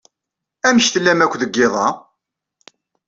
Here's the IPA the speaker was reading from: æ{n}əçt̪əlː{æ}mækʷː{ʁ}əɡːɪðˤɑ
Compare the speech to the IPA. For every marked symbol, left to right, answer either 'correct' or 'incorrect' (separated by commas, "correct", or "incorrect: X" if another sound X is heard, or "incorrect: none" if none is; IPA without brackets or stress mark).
incorrect: m, correct, incorrect: ð